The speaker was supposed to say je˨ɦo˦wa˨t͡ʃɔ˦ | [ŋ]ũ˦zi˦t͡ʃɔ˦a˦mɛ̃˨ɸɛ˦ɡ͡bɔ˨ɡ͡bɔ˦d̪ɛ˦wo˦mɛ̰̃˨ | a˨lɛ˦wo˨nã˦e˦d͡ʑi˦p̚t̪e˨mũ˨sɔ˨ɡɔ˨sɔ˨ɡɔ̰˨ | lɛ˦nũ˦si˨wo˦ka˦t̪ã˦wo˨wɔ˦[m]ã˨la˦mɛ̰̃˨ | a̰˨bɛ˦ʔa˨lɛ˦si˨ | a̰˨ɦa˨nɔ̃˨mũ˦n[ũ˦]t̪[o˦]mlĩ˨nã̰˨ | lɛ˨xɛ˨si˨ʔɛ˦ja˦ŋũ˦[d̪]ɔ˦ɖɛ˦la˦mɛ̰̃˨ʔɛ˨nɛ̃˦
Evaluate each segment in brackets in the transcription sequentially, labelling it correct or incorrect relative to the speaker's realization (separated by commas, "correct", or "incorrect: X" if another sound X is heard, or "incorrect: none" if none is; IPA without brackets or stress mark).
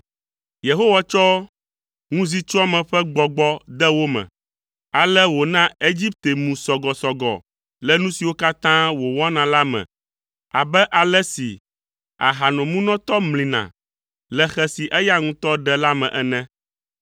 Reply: correct, incorrect: n, incorrect: ɔ̃˦, incorrect: ɔ˦, incorrect: t̪